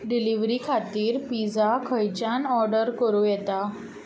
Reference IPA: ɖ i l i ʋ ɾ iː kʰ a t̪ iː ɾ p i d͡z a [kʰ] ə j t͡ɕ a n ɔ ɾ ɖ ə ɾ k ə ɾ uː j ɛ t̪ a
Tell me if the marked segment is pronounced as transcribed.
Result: yes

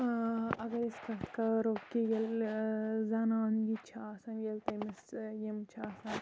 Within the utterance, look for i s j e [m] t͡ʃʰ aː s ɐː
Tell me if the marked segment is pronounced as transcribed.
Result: yes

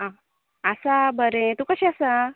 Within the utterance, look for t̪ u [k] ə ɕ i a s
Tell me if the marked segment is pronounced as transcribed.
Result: yes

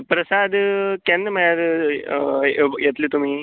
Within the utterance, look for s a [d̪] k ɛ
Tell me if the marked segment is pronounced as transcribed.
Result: yes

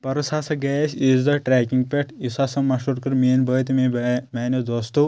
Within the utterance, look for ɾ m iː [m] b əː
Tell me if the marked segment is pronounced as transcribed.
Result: no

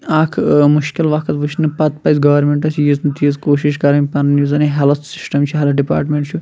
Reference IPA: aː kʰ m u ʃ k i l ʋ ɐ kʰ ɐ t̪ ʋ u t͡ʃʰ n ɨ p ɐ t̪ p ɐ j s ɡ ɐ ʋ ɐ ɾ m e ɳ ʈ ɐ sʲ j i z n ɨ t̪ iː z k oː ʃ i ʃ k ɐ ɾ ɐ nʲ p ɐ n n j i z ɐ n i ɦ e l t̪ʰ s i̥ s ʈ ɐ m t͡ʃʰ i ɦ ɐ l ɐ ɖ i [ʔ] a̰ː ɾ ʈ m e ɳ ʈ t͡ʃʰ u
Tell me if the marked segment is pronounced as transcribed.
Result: no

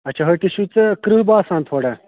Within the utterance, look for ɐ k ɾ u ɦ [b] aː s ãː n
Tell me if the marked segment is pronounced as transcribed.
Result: yes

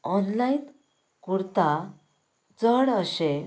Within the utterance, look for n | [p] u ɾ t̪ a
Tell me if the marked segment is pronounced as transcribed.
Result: no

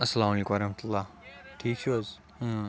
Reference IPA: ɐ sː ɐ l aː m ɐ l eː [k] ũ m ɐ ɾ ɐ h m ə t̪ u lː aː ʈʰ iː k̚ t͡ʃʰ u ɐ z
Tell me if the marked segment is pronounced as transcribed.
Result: yes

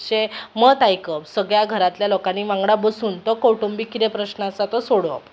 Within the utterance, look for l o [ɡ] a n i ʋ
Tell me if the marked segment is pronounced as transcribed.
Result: no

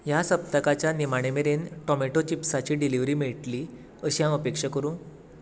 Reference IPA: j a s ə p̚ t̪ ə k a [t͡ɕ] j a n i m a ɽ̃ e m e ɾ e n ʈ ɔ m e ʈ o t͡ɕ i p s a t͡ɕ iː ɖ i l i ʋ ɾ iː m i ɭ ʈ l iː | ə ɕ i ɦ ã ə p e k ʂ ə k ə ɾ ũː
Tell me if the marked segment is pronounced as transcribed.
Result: yes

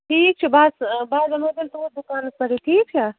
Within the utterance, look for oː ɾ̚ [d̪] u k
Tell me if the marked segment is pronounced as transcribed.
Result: yes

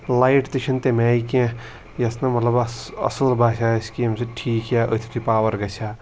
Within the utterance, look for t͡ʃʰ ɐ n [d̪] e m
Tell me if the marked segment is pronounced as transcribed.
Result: no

